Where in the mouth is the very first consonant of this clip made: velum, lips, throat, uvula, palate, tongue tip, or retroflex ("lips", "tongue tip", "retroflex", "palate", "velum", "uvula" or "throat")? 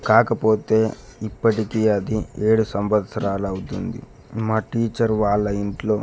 velum